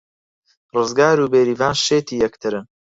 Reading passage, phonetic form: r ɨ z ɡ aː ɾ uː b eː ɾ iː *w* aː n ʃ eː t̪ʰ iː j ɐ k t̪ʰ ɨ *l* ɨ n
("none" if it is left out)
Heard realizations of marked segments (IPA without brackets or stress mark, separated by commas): v, ɾ